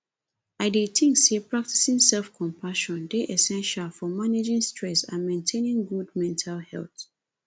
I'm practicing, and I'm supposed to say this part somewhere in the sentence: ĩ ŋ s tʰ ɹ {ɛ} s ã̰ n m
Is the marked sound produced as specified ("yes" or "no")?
yes